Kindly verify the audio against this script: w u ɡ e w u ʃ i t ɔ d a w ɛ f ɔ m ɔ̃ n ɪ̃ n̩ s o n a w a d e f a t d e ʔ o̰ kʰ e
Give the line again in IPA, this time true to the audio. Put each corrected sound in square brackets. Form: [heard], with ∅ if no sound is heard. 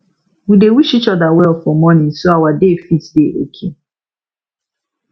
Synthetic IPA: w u [d] e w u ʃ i [t͡ʃ] ɔ d a w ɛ f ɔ m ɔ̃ n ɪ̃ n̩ s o [∅] a w a d e f [i] t d e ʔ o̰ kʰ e